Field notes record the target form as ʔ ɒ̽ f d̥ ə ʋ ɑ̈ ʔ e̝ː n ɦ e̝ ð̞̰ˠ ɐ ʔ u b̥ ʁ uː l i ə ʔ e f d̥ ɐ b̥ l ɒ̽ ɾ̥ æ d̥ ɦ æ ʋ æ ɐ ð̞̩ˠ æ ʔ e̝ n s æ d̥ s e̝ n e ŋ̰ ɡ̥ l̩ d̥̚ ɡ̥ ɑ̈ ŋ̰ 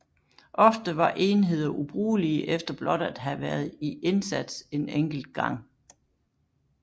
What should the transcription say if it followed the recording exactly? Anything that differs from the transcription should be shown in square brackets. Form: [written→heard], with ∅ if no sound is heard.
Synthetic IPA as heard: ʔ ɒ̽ f d̥ ə ʋ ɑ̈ ʔ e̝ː n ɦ e̝ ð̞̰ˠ ɐ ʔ u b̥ ʁ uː l i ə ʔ e f d̥ ɐ b̥ l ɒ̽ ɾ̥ æ d̥ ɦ æ ʋ æ ɐ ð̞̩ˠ [æ→i] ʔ e̝ n s æ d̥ s e̝ n e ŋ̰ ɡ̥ l̩ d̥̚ ɡ̥ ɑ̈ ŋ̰